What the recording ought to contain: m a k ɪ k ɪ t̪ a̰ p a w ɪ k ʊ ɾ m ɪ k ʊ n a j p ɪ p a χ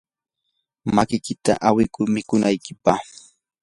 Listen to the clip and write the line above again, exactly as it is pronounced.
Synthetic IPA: m a k ɪ k ɪ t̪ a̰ ʔ a w ɪ k ʊ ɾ m ɪ k ʊ n a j k ɪ p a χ

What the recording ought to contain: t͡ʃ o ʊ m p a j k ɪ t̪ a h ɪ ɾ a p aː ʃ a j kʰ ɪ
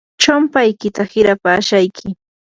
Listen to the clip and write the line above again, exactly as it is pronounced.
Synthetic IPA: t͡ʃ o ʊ m p a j k ɪ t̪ a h ɪ ɾ a p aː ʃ a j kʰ ɪ

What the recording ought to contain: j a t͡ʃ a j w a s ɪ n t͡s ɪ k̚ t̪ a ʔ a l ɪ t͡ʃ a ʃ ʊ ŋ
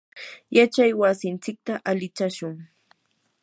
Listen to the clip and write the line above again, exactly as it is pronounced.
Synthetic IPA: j a t͡ʃ a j w a s ɪ n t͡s ɪ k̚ t̪ a ʔ a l ɪ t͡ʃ a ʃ ʊ ŋ

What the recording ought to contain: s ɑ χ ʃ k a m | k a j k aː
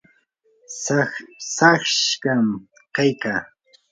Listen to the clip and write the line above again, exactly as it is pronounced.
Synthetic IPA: s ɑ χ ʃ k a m | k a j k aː

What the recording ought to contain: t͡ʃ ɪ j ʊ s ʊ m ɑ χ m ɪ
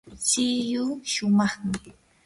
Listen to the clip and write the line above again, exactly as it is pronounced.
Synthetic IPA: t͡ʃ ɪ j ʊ ʃ ʊ m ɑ χ m ɪ

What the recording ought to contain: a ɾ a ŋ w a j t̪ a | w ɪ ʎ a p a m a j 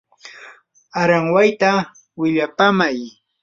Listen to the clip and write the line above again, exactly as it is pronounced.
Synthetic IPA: a ɾ a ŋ w a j t̪ a | w ɪ ʎ a p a m a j

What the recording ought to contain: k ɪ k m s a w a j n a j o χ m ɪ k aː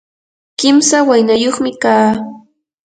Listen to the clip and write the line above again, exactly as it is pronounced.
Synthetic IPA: k ɪ m s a w a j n a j o χ m ɪ k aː

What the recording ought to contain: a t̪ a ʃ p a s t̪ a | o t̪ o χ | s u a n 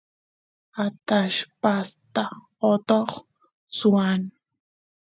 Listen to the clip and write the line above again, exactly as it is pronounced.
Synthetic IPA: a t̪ a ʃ p a s t̪ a | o t̪ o χ | s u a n

